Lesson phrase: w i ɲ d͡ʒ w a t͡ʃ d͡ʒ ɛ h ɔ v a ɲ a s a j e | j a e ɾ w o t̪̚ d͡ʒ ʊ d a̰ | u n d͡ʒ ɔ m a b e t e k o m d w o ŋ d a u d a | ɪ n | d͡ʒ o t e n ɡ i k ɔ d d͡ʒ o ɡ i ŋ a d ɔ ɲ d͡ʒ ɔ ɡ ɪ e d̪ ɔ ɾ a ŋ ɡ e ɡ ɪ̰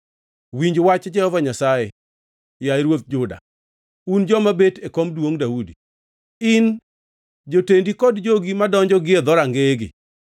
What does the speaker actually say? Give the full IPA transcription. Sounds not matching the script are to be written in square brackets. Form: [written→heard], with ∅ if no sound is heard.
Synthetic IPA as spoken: w i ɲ d͡ʒ w a t͡ʃ d͡ʒ ɛ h ɔ v a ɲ a s a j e | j a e ɾ w o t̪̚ d͡ʒ ʊ d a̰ | u n d͡ʒ ɔ m a b e t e k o m d w o ŋ d a u d [a→i] | ɪ n | d͡ʒ o t e n [ɡ→d] i k ɔ d d͡ʒ o ɡ i [ŋ→m] a d ɔ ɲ d͡ʒ ɔ ɡ ɪ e d̪ ɔ ɾ a ŋ ɡ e ɡ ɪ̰